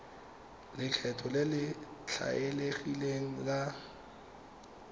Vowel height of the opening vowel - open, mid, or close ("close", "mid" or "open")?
close